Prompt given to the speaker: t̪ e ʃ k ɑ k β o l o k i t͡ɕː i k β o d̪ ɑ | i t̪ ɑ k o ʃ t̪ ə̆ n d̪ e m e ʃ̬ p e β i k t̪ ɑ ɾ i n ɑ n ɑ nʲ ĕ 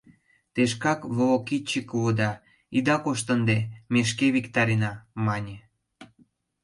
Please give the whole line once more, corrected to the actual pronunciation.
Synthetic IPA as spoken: t̪ e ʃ k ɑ k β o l o k i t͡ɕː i k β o d̪ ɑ | i d̪ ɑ k o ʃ t̪ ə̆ n d̪ e m e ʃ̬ k e β i k t̪ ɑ ɾ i n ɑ m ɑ nʲ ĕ